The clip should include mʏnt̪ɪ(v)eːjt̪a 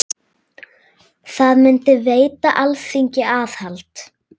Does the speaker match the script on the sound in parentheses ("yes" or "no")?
yes